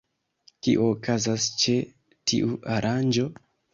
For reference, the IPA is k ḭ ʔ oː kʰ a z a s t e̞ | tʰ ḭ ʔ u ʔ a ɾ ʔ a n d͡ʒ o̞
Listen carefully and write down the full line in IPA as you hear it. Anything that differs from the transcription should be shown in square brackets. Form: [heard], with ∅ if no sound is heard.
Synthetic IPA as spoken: k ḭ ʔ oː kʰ a z a s [t͡ʃ] e̞ | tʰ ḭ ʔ u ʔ a ɾ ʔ a n d͡ʒ o̞